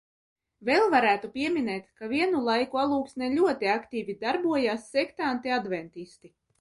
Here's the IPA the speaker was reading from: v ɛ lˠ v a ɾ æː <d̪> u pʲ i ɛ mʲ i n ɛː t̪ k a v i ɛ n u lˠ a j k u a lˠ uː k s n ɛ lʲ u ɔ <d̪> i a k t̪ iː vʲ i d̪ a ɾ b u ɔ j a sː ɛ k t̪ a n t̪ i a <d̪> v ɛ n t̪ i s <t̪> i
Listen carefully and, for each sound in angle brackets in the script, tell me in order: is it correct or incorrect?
incorrect: t̪, incorrect: t̪, correct, correct

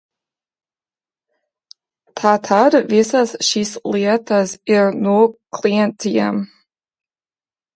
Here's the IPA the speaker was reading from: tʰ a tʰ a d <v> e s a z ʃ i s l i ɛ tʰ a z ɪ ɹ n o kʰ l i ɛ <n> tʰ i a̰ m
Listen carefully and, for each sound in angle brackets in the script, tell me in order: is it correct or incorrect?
correct, correct

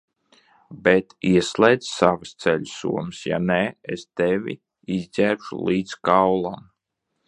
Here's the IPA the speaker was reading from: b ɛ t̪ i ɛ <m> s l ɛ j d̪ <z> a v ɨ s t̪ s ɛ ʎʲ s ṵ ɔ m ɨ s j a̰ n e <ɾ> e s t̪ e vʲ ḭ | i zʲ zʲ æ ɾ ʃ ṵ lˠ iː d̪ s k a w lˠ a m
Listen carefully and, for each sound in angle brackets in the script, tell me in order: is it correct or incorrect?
incorrect: none, incorrect: s, incorrect: none

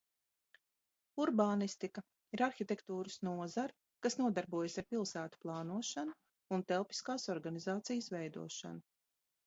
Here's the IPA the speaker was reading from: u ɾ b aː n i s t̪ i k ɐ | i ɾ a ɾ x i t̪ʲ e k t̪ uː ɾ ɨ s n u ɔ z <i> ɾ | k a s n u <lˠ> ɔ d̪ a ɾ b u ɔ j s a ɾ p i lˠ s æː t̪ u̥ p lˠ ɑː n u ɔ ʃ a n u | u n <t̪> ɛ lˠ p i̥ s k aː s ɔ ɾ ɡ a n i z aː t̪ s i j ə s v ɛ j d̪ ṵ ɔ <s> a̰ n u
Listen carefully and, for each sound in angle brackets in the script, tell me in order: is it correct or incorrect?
incorrect: a, incorrect: none, correct, incorrect: ʃ

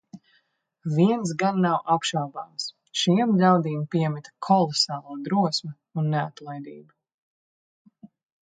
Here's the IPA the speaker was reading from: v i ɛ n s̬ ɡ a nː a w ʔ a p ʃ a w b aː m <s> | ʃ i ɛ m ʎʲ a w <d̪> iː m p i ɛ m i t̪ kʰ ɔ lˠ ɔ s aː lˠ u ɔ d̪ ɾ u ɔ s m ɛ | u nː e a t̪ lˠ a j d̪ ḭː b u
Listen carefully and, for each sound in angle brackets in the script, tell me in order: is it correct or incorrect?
correct, correct

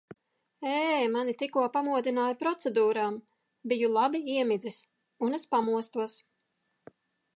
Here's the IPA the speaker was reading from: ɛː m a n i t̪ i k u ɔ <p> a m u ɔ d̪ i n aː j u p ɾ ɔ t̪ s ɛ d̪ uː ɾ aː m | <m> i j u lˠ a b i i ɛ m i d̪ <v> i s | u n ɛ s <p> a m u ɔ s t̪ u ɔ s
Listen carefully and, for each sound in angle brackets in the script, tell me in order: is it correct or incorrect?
correct, incorrect: b, incorrect: z, correct

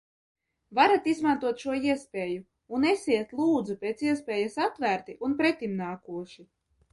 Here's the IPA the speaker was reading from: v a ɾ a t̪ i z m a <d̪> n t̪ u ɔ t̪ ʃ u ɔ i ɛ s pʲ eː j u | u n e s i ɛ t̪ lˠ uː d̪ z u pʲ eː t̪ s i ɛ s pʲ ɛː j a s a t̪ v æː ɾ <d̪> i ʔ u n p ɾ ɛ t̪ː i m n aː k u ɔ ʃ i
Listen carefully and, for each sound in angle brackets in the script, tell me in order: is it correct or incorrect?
incorrect: none, incorrect: t̪

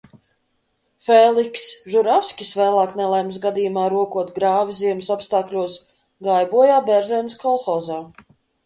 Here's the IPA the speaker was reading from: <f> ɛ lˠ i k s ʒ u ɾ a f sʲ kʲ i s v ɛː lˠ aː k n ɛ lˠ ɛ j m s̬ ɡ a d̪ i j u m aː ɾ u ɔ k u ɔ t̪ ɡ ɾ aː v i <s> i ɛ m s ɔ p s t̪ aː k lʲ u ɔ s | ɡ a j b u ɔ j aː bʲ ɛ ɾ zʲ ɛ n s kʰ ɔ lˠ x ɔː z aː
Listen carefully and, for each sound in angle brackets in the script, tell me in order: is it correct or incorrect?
correct, incorrect: z

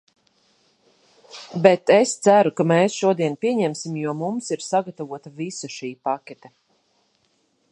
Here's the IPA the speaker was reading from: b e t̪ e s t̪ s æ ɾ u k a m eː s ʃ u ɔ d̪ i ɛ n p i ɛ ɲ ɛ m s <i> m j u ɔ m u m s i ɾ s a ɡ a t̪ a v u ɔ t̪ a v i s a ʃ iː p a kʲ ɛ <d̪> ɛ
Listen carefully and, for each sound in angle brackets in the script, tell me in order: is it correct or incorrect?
correct, incorrect: t̪

